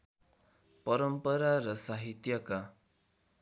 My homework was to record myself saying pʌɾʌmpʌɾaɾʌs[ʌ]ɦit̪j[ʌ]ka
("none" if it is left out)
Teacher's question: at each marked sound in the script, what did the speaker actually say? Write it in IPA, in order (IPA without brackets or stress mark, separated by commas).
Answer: a, ʌ